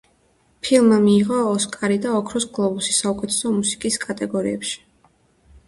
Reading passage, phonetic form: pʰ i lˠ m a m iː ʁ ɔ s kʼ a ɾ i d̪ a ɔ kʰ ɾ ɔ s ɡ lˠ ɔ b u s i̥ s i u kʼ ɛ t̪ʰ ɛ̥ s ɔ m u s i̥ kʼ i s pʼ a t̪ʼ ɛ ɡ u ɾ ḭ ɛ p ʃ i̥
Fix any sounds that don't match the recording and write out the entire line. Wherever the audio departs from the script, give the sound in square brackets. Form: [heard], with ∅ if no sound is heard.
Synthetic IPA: pʰ i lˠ m a m iː ʁ [ɔː] s kʼ a ɾ i d̪ a ɔ kʰ ɾ ɔ s ɡ lˠ ɔ b u s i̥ s [a] u kʼ ɛ t̪ʰ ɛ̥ s ɔ m u s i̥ kʼ i s [kʼ] a t̪ʼ ɛ ɡ [ɔ] ɾ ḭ ɛ p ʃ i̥

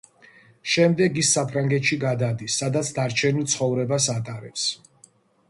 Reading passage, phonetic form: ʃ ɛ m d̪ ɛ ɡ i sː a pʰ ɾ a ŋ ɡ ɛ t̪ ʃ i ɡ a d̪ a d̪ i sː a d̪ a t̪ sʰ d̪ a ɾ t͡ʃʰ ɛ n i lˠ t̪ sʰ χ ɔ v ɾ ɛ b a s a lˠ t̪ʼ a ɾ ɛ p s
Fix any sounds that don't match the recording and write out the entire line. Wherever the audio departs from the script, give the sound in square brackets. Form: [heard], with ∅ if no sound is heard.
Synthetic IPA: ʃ ɛ m d̪ ɛ ɡ i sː a pʰ ɾ a ŋ ɡ ɛ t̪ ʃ i ɡ a d̪ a d̪ i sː a d̪ a t̪ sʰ d̪ a ɾ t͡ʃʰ ɛ n i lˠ t̪ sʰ χ ɔ v ɾ ɛ b a s a [∅] t̪ʼ a ɾ ɛ p s

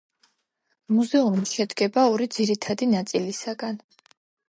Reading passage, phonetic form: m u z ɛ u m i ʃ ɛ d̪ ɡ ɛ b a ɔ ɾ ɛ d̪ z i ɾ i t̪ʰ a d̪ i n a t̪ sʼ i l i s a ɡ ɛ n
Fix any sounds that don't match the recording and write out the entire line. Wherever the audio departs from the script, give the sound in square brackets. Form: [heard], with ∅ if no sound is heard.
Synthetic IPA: m u z ɛ u m i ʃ ɛ d̪ ɡ ɛ b a ɔ ɾ [i] d̪ z i ɾ i t̪ʰ a d̪ i n a t̪ sʼ i l i s a ɡ [a] n

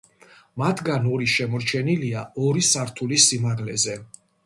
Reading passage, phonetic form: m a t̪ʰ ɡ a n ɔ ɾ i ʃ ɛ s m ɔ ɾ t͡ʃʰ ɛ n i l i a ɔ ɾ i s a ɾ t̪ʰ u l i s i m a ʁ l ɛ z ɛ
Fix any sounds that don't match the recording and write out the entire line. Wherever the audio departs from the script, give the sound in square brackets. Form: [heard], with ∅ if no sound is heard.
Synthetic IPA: m a t̪ʰ ɡ a n ɔ ɾ i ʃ ɛ [∅] m ɔ ɾ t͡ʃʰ ɛ n i l i a ɔ ɾ i s a ɾ t̪ʰ u l i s i m a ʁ l ɛ z ɛ

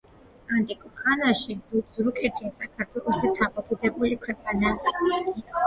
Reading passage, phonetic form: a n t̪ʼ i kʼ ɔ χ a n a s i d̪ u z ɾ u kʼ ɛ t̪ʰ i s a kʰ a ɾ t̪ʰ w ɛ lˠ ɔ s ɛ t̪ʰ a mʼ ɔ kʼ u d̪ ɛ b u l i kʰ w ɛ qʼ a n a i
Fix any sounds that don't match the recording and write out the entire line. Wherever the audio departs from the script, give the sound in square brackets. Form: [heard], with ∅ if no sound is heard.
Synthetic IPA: a n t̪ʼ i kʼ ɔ χ a n a [ʃ] i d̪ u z ɾ u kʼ ɛ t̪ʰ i s a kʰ a ɾ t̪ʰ w ɛ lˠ ɔ s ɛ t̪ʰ a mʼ ɔ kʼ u d̪ ɛ b u l i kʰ w ɛ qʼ a n a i

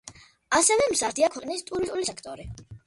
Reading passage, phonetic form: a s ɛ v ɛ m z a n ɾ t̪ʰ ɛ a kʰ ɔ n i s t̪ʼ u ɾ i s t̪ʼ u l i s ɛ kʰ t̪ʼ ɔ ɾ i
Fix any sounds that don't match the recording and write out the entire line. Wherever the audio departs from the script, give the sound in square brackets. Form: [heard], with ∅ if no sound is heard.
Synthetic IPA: a s ɛ v ɛ m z a [∅] ɾ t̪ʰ [i] a kʰ ɔ n i s t̪ʼ u ɾ i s t̪ʼ u l i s ɛ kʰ t̪ʼ ɔ ɾ i

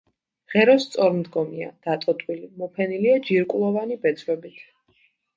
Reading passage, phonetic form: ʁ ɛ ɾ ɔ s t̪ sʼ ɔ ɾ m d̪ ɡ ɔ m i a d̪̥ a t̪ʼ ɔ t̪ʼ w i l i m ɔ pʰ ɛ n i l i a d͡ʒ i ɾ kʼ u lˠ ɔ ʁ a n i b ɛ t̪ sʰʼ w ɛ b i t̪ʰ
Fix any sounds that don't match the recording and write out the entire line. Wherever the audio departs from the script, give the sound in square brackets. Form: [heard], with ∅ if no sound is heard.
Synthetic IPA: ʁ ɛ ɾ ɔ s t̪ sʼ ɔ ɾ m d̪ ɡ ɔ m i a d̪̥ a t̪ʼ ɔ t̪ʼ w i l i m ɔ pʰ ɛ n i l i a d͡ʒ i ɾ kʼ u lˠ ɔ [v] a n i b ɛ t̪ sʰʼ w ɛ b i t̪ʰ

